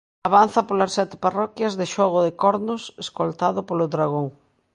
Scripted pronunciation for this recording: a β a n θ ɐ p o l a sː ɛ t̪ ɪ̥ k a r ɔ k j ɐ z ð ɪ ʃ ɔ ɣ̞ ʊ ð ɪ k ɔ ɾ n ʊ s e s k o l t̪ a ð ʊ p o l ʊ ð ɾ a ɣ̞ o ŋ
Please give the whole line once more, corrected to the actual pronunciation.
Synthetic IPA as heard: a β a n θ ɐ p o l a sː ɛ t̪ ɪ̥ p a r ɔ k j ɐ z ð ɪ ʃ ɔ ɣ̞ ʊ ð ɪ k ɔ ɾ n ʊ s e s k o l t̪ a ð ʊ p o l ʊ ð ɾ a ɣ̞ o ŋ